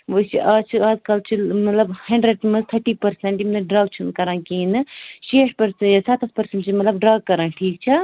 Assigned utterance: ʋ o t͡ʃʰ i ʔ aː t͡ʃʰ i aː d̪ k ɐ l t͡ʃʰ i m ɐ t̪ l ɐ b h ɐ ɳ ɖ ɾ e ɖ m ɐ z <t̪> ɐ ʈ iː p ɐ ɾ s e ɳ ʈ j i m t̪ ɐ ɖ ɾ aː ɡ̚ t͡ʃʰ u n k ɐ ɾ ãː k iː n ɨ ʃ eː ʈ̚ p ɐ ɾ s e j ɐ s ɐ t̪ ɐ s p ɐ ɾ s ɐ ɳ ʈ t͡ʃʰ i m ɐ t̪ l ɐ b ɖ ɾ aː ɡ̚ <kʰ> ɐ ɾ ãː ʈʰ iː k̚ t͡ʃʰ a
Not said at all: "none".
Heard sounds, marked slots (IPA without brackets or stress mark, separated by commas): t̪ʰ, k